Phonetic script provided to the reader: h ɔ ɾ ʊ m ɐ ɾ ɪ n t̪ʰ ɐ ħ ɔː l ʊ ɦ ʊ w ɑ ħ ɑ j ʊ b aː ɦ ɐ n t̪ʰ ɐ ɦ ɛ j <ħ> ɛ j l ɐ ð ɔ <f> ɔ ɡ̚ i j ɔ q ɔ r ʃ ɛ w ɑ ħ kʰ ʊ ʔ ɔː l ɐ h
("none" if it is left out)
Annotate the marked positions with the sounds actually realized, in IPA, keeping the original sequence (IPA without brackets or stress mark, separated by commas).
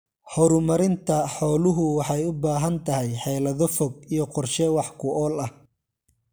ħ, f